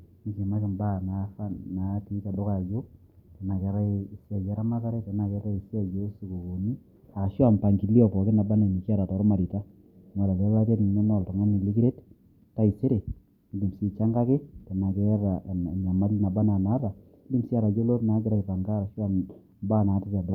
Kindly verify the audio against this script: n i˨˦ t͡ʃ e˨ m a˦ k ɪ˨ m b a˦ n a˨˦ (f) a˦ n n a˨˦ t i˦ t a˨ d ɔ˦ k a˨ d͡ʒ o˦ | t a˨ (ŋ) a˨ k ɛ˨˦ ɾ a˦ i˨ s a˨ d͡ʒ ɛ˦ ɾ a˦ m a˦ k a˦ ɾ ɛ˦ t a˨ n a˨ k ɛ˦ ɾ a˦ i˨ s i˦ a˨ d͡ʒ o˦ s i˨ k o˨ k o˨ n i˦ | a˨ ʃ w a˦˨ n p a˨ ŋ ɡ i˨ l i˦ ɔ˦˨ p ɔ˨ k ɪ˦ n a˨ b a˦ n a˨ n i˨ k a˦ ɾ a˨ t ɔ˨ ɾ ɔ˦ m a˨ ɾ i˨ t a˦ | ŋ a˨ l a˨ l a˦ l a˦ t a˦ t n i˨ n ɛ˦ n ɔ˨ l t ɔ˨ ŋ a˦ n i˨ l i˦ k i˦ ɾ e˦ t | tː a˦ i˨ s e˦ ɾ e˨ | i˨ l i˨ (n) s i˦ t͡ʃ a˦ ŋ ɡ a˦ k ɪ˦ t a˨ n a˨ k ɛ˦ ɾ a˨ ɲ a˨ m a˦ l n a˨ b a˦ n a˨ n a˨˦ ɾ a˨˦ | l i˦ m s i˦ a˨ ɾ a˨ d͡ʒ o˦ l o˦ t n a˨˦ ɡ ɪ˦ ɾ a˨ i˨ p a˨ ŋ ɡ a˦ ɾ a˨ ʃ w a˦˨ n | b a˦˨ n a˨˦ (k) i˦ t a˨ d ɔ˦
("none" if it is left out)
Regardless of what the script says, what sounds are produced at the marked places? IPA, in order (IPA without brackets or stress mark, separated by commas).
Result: f, n, m, t